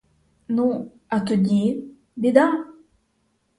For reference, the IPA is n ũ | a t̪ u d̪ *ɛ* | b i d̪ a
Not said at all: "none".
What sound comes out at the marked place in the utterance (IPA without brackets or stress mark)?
i